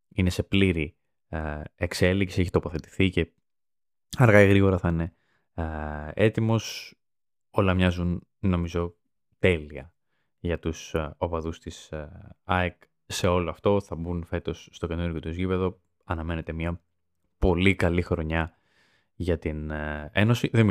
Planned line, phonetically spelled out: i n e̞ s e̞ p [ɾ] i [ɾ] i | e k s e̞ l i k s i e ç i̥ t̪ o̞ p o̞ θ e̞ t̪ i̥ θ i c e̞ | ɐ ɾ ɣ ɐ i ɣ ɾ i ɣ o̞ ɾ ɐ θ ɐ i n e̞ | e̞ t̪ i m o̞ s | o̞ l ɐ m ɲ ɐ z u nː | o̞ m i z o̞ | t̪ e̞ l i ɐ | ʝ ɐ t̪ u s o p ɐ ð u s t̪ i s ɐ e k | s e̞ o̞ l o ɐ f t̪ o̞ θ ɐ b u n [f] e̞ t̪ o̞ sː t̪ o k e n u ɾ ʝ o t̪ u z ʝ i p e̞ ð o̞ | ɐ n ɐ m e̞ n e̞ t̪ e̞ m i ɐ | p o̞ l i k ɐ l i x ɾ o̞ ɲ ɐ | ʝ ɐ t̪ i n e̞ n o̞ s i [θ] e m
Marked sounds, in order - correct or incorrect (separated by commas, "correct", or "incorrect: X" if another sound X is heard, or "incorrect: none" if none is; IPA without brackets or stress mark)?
incorrect: l, correct, correct, incorrect: ð